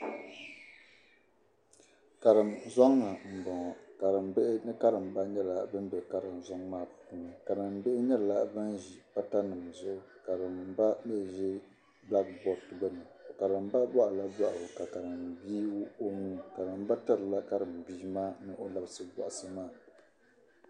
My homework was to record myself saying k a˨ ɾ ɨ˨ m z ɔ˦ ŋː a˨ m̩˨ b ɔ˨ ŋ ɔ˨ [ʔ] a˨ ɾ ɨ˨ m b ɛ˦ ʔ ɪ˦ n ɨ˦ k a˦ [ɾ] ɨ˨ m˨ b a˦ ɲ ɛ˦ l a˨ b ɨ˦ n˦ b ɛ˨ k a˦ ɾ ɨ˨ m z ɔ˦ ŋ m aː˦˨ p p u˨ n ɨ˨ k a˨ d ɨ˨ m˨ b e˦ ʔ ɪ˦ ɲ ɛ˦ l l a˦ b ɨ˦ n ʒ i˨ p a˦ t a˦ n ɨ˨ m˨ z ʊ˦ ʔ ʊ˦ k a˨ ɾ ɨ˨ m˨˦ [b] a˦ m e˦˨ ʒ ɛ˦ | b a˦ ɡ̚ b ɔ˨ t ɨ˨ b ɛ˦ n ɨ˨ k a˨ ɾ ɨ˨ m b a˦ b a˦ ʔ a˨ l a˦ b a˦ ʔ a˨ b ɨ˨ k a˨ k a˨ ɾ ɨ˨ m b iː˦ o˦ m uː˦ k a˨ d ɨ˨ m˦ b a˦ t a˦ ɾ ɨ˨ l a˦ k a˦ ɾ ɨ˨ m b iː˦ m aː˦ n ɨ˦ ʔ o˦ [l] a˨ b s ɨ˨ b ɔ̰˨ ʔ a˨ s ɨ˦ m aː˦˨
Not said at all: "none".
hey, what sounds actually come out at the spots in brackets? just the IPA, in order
k, ɾ, b, l

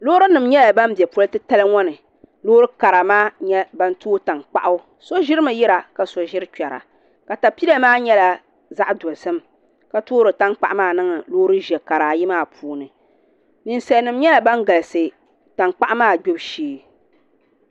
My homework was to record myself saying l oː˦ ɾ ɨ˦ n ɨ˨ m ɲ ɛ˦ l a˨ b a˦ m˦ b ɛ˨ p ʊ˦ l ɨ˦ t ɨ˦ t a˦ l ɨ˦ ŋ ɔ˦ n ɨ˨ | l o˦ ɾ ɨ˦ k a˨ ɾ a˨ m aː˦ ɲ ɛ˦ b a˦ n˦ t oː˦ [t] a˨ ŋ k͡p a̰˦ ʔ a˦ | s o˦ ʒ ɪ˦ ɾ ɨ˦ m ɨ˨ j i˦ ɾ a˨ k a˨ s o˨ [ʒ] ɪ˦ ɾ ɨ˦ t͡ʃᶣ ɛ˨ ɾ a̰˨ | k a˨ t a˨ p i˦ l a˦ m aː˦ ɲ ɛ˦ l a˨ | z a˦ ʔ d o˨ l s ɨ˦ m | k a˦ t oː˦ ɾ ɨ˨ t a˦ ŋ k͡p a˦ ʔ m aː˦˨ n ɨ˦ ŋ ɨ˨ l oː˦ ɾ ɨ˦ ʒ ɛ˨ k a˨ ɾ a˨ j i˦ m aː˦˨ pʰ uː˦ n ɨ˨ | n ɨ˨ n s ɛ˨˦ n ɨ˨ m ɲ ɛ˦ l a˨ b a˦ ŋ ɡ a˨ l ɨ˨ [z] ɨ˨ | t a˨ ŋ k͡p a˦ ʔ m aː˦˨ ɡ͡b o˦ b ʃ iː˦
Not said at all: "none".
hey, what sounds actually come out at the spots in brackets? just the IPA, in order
t, ʒ, s

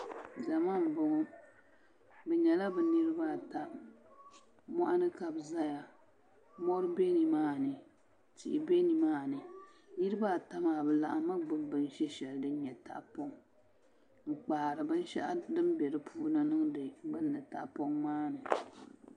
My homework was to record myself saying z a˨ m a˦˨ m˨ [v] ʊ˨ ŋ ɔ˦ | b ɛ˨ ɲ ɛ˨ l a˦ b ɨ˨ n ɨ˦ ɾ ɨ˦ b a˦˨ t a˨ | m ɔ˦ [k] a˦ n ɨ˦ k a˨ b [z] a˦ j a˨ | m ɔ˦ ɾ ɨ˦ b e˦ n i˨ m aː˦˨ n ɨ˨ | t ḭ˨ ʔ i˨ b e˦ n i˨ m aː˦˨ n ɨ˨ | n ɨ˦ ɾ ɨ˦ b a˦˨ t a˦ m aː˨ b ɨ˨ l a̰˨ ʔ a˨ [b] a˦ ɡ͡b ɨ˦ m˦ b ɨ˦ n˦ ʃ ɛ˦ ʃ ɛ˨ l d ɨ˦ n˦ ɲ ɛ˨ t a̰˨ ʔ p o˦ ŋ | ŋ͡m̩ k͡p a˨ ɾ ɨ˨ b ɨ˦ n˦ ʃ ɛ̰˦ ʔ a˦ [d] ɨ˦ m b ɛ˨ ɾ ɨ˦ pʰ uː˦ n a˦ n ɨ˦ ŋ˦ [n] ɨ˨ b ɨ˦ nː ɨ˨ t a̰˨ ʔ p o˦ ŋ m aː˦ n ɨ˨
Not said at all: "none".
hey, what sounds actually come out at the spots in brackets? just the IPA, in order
b, ʔ, z, m, d, d

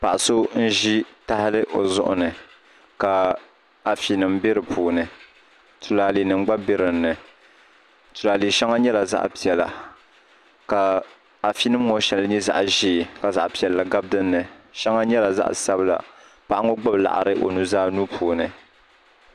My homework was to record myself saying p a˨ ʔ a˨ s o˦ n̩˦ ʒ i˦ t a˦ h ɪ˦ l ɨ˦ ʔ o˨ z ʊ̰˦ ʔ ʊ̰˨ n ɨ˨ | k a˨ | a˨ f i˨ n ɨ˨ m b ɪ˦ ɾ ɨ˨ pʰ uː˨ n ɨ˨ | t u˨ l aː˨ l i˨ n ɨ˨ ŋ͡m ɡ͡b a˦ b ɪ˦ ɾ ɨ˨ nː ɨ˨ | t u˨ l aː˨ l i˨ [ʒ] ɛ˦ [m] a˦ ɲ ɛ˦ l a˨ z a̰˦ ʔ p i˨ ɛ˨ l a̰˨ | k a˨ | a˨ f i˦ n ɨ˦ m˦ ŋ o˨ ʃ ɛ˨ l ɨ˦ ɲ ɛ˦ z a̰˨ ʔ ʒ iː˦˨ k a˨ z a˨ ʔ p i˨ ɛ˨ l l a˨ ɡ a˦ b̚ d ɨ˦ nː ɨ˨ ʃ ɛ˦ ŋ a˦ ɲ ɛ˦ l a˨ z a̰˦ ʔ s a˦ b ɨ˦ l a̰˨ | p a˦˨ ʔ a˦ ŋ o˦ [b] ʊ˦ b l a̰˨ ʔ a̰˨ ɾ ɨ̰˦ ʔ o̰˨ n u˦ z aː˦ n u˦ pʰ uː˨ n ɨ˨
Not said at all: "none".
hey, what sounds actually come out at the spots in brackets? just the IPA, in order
ʃ, ŋ, ɡ͡b

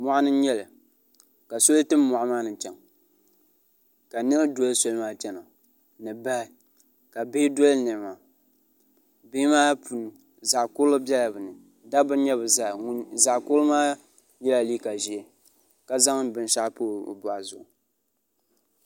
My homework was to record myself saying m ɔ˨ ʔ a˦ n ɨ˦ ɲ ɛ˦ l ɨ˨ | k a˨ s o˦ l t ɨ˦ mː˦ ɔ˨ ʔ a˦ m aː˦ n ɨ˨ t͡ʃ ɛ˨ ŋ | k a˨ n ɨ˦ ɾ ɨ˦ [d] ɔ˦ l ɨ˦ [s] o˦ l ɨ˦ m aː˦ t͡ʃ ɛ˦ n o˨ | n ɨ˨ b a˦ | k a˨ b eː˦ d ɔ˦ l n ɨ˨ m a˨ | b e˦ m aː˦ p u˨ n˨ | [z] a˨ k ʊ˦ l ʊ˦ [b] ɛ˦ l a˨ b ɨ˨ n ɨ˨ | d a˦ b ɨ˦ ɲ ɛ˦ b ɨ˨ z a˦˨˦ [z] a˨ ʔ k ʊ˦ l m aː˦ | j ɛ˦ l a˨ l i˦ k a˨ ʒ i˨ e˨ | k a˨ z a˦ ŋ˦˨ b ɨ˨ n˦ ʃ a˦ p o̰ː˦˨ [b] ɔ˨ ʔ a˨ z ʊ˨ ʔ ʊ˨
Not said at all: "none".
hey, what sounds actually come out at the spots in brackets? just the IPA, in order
d, s, z, b, z, b

